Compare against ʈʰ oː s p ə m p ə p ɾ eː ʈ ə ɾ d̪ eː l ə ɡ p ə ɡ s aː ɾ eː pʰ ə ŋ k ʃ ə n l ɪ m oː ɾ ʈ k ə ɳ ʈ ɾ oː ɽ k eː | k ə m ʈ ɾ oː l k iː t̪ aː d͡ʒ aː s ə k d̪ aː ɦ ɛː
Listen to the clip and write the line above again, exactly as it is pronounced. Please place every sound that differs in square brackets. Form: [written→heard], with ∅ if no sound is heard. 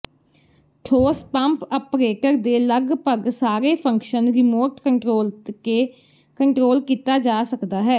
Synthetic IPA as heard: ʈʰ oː s p ə m p ə p ɾ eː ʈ ə ɾ d̪ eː l ə ɡ p ə ɡ s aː ɾ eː pʰ ə ŋ k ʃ ə n [l→ɾ] ɪ m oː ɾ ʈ k ə ɳ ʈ ɾ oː [ɽ→l] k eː | k ə [m→ɳ] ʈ ɾ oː l k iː t̪ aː d͡ʒ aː s ə k d̪ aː ɦ ɛː